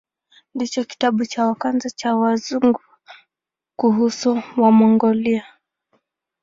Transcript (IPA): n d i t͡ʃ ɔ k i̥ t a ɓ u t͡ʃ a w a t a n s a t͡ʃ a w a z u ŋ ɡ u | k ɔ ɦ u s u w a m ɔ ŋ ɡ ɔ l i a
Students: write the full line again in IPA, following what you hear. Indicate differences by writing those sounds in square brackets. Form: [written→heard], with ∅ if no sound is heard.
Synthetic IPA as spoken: n d i t͡ʃ ɔ k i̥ t a ɓ u t͡ʃ a w a [t→k] a n [s→z] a t͡ʃ a w a z u ŋ ɡ u | k [ɔ→u] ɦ u s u w a m ɔ ŋ ɡ ɔ l i a